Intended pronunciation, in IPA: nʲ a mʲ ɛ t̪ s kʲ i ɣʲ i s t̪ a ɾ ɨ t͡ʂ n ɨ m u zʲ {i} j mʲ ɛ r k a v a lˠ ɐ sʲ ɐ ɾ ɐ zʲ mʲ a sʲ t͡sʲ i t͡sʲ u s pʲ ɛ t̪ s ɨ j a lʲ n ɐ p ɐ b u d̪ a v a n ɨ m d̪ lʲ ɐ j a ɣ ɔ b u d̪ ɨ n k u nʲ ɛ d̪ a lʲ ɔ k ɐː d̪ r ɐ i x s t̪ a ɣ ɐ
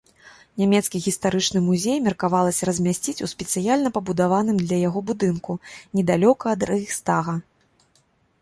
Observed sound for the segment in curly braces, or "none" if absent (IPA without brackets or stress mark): e